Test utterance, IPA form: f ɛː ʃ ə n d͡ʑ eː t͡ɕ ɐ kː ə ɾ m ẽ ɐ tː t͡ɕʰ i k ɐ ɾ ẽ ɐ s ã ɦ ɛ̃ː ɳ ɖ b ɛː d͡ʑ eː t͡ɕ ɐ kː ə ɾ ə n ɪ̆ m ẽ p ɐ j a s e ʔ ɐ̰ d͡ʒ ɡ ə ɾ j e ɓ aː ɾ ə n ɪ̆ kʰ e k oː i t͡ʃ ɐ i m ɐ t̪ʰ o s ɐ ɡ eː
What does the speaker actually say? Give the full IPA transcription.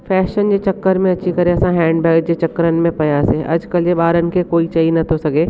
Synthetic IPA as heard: f ɛː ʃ ə n d͡ʑ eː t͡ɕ ɐ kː ə ɾ m ẽ ɐ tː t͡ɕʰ i k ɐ ɾ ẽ ɐ s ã ɦ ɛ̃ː ɳ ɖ b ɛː d͡ʑ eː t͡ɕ ɐ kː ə ɾ ə n ɪ̆ m ẽ p ɐ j a s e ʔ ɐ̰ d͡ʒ k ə l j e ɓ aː ɾ ə n ɪ̆ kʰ e k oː i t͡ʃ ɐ i n ɐ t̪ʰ o s ɐ ɡ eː